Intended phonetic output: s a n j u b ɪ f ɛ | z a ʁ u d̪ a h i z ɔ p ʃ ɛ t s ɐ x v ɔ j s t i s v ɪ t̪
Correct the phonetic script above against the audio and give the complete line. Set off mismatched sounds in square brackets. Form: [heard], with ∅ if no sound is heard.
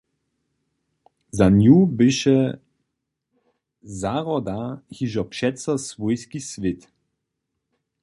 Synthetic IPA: [z] a n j u b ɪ [ʃ] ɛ | z a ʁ [ɔ] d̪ a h i [ʒ] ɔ p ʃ ɛ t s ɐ [s] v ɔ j s [k] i s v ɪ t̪